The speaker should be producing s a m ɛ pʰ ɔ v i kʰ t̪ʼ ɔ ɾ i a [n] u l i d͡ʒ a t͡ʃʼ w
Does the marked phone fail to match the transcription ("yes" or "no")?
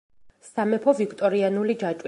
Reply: no